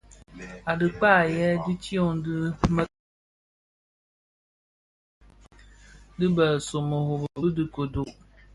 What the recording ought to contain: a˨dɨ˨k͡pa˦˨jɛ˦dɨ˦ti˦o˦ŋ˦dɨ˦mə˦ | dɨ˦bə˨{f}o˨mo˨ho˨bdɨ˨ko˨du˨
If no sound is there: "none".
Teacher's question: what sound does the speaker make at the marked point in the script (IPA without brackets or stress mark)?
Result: s